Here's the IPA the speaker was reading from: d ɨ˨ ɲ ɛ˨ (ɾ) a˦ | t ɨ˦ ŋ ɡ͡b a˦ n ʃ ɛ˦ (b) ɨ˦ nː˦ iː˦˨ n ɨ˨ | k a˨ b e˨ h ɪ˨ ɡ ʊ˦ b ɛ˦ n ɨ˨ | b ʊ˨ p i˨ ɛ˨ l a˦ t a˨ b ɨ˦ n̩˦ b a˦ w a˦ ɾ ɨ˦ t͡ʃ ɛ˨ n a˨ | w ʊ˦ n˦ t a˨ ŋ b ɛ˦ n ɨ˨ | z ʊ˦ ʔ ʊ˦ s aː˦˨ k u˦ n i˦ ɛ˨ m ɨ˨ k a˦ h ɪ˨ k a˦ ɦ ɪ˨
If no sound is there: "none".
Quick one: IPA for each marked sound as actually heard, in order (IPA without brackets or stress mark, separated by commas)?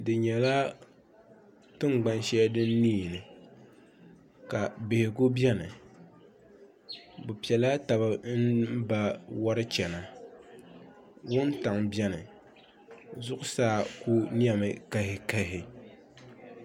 l, d